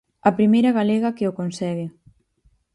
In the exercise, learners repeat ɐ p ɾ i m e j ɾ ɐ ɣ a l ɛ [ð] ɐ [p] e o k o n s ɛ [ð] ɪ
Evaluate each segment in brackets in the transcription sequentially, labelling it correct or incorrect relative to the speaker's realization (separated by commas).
incorrect, incorrect, incorrect